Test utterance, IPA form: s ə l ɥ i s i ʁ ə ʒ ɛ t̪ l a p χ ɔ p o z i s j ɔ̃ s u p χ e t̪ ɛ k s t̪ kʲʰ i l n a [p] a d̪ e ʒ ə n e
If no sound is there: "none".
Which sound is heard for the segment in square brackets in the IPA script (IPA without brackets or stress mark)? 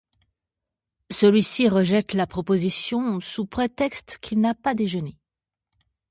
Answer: p